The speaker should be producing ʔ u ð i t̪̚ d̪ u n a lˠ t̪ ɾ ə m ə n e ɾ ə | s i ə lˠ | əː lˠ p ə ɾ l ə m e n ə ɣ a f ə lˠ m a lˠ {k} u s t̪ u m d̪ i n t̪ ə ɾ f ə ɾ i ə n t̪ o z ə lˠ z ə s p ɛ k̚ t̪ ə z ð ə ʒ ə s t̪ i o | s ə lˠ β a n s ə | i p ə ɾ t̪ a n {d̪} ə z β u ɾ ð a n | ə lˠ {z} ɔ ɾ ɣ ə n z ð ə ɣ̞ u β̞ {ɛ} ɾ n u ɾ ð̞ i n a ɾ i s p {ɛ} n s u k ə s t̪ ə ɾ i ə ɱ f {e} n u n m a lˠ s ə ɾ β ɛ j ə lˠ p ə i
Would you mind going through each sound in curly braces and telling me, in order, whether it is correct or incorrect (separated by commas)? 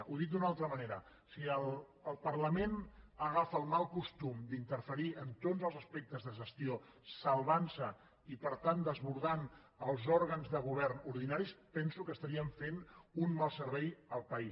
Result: correct, correct, correct, correct, correct, correct